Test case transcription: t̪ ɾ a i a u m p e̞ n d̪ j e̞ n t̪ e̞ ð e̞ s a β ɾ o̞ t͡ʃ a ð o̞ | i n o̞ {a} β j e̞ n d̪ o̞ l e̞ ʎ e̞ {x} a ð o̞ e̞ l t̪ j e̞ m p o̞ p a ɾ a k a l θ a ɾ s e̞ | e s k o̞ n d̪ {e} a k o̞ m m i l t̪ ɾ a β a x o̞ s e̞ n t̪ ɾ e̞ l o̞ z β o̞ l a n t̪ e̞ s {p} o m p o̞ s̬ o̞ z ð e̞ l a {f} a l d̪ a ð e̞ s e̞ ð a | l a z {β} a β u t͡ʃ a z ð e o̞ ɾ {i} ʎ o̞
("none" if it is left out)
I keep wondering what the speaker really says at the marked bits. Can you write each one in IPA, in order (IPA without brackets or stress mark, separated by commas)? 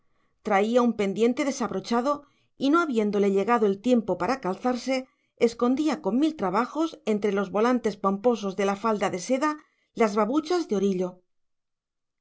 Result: a, ɣ, i, p, f, β, i